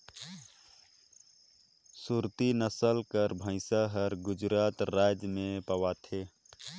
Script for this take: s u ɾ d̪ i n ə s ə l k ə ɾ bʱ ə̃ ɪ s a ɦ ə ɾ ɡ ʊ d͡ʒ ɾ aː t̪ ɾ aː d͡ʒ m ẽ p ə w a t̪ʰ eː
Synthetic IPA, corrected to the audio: s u ɾ t̪ i n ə s ə l k ə ɾ bʱ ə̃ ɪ s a ɦ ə ɾ ɡ ʊ d͡ʒ ɾ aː t̪ ɾ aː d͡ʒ m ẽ p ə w a t̪ʰ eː